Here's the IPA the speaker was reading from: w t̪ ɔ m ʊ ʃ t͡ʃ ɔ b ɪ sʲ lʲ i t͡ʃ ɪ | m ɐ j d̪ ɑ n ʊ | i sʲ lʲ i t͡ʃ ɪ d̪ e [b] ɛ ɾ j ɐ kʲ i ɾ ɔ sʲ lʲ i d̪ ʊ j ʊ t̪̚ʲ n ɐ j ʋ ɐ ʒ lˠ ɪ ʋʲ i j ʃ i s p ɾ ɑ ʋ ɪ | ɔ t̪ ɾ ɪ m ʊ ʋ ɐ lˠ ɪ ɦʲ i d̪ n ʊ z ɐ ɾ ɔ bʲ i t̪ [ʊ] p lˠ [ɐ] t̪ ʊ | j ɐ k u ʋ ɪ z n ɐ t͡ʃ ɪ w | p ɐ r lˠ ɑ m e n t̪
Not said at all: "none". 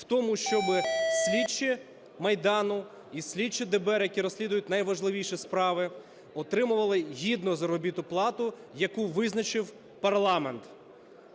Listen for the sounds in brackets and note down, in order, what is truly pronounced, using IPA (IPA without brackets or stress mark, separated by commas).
b, ʊ, ɑ